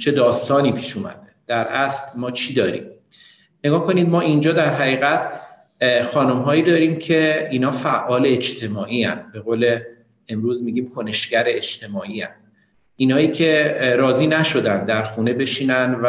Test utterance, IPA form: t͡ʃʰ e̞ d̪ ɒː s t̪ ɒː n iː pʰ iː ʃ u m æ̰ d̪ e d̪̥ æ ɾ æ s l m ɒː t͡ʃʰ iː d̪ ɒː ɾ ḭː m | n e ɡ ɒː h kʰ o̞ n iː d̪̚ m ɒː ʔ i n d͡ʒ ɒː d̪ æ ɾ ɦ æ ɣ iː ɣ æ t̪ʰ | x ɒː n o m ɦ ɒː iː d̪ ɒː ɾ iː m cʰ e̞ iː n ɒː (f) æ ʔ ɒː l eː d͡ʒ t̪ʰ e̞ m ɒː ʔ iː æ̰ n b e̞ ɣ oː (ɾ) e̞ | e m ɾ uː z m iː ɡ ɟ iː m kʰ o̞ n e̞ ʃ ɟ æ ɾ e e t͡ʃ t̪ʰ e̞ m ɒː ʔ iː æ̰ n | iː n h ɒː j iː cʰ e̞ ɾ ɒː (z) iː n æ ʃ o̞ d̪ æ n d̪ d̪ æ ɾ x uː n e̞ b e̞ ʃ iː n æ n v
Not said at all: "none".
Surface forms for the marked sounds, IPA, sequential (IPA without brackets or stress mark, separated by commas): f, l, z